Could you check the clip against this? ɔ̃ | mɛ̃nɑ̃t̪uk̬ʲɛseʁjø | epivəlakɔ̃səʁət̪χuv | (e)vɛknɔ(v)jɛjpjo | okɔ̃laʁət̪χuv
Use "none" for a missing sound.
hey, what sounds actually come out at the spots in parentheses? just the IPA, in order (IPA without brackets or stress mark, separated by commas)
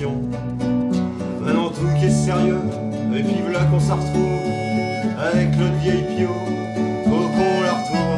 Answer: a, v